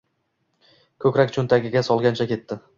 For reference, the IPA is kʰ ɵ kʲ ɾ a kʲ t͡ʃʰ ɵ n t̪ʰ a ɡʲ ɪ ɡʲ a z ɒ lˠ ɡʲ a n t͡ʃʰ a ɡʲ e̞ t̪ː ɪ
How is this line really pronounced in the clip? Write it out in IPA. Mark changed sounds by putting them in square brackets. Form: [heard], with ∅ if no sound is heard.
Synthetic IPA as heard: kʰ ɵ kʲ ɾ a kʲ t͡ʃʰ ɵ n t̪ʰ a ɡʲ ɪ ɡʲ a [s] ɒ lˠ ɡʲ a n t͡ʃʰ a [kʲ] e̞ t̪ː ɪ